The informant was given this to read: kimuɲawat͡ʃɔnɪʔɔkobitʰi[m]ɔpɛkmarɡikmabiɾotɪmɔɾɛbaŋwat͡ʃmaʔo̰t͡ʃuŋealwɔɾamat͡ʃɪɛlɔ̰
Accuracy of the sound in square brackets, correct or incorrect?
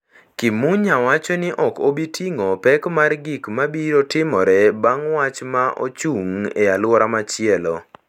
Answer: incorrect